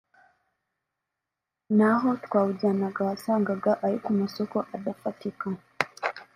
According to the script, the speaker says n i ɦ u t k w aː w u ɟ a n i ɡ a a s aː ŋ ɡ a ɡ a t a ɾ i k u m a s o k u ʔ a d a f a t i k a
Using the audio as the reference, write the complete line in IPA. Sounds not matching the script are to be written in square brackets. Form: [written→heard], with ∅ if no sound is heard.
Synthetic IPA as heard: n [i→a] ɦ [u→o] t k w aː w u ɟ a n [i→a] ɡ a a s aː ŋ ɡ a ɡ a [t→ʔ] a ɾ i k u m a s o k [u→o] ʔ a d a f a t i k a